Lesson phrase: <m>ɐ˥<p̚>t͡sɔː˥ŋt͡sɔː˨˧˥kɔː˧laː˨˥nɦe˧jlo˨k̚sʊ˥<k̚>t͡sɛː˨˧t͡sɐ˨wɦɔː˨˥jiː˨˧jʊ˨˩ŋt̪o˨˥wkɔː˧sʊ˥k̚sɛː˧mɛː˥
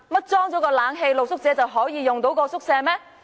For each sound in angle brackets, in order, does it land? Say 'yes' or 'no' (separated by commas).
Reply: yes, no, yes